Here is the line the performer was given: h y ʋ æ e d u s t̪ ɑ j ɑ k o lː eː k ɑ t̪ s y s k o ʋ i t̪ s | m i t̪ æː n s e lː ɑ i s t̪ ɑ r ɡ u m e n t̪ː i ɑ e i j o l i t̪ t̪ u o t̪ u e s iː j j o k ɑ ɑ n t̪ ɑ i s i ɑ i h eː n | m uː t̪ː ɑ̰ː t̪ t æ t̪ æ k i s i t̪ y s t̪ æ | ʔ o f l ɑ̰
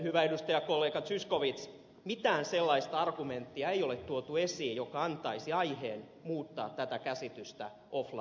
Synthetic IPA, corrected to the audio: h y ʋ æ e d u s t̪ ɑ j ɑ k o lː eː k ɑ t̪ s y s k o ʋ i t̪ s | m i t̪ æː n s e lː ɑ i s t̪ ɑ r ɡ u m e n t̪ː i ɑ e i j o l e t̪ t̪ u o t̪ u e s iː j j o k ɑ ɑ n t̪ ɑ i s i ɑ i h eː n | m uː t̪ː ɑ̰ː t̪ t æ t̪ æ k æ s i t̪ y s t̪ æ | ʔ o f l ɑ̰